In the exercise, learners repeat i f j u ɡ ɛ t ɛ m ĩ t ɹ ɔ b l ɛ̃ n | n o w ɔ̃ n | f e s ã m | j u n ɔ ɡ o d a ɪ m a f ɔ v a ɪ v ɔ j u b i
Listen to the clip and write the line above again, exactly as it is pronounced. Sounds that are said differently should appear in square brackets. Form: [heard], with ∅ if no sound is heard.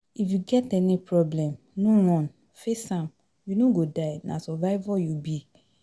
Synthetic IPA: i f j u ɡ ɛ t ɛ [n] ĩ [p] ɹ ɔ b l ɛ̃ [m] | n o w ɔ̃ n | f e s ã m | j u n [o] ɡ o d a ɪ [n] a [s] ɔ v a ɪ v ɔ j u b i

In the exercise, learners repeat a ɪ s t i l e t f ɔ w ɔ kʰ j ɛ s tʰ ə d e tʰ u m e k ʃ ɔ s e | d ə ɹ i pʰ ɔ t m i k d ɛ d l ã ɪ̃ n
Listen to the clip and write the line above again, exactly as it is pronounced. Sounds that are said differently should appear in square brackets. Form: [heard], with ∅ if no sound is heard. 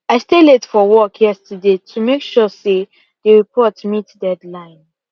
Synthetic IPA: a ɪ s t [e] l e t f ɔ w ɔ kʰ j ɛ s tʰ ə d e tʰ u m e k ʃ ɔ s e | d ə ɹ i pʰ ɔ t m i [t] d ɛ d l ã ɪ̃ n

